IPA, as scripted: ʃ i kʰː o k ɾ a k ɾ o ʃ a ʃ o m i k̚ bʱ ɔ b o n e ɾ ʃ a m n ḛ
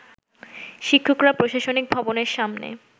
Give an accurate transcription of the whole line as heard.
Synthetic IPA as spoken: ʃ i kʰː o k ɾ a p ɾ o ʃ a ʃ o n i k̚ bʱ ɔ b o n e ɾ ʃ a m n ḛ

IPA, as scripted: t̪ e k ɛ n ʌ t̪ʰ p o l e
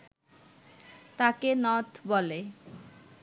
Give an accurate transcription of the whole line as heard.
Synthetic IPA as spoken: t̪ a k e n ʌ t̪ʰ b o l e

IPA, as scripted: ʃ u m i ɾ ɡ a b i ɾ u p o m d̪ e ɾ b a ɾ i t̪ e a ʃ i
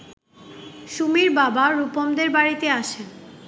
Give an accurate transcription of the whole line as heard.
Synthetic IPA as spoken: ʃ u m i ɾ b a b a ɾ u p o m d̪ e ɾ b a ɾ i t̪ e a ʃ e

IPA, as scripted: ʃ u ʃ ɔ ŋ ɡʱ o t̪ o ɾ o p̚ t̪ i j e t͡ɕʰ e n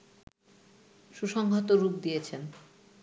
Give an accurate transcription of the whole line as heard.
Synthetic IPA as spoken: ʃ u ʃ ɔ ŋ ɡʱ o t̪ o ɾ u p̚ d̪ i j e t͡ɕʰ e n

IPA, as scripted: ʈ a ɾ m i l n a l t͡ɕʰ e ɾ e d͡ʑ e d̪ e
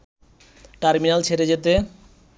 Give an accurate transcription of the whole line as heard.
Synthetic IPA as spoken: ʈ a ɾ m i n a l t͡ɕʰ e ɾ e d͡ʑ e t̪ e

